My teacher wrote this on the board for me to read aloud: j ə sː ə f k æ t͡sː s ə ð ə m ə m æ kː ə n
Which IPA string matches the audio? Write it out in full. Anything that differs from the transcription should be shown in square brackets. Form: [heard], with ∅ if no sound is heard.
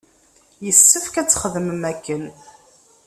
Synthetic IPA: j ə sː ə f k æ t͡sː [χ] ə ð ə m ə m æ kː ə n

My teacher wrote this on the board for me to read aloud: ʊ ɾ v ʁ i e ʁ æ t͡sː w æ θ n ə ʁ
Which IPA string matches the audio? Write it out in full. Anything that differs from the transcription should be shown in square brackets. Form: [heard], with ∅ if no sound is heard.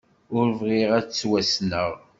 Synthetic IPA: ʊ ɾ v ʁ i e ʁ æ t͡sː w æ [s] n ə ʁ

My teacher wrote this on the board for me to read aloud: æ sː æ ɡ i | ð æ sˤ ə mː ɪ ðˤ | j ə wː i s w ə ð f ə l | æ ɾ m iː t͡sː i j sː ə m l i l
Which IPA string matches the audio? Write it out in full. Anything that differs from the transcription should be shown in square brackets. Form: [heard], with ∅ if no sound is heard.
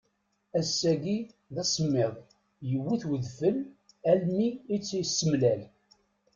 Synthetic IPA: æ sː æ ɡ i | ð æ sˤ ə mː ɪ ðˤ | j ə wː i [θ] w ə ð f ə l | æ [l] m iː t͡sː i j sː ə m l [æ] l

